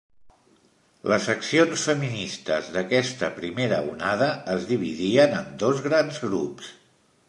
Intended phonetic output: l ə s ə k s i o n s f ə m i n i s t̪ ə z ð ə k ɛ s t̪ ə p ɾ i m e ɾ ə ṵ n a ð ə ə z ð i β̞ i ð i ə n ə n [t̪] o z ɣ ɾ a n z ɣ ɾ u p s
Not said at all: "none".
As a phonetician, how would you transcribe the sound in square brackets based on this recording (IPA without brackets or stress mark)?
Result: d̪